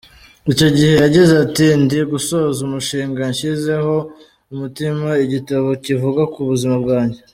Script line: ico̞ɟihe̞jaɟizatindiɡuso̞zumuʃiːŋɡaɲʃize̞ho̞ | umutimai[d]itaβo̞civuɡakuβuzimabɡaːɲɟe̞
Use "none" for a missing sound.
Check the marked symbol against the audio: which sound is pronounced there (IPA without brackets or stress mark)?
ɟ